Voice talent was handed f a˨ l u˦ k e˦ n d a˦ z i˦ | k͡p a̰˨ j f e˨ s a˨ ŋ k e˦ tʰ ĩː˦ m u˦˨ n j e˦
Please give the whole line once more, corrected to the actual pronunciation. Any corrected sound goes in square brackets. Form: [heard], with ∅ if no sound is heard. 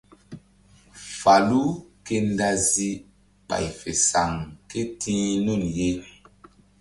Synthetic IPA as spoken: f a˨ l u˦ k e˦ n d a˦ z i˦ | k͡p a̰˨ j f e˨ s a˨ ŋ k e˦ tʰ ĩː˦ [n] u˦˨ n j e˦